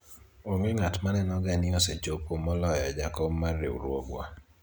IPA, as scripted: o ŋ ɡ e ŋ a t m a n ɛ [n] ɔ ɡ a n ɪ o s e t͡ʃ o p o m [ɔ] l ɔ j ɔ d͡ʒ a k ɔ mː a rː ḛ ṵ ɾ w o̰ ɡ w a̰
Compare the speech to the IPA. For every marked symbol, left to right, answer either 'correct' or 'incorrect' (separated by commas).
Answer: correct, correct